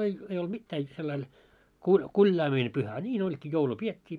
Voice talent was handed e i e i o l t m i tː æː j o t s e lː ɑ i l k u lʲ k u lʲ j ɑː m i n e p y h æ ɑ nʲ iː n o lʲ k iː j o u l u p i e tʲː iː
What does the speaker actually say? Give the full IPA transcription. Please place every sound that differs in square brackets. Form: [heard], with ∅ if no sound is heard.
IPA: e i e i o l t m i tː æː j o t s e lː ɑ i l k u lʲ k u lʲ j ɑː m i n e p y h æ ɑ nʲ iː n o lʲ k iː j o u l u p i e tʲː iː